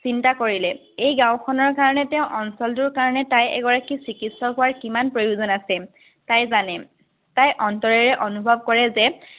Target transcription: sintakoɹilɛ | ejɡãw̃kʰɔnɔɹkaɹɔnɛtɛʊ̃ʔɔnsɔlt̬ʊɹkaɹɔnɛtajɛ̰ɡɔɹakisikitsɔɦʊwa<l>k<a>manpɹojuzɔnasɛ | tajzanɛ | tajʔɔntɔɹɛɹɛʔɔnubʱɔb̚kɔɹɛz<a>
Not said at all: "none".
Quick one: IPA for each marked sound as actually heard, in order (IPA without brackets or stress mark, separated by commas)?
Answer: ɹ, i, ɛ